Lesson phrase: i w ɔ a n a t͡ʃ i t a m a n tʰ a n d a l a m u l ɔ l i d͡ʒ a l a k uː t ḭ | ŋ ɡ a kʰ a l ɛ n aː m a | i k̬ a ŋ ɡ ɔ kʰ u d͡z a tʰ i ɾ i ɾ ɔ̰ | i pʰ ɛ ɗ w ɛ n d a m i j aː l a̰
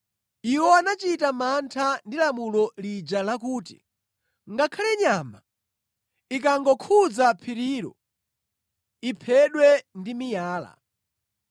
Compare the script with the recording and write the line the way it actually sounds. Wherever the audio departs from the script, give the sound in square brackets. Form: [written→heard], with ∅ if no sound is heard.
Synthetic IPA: i w ɔ a n a t͡ʃ i t a m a n tʰ a n d [a→i] l a m u l ɔ l i d͡ʒ a l a k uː t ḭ | ŋ ɡ a kʰ a l ɛ [n→ɲ] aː m a | i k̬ a ŋ ɡ ɔ kʰ u d͡z a [tʰ→pʰ] i ɾ i ɾ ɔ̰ | i pʰ ɛ ɗ w ɛ n d [a→i] m i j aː l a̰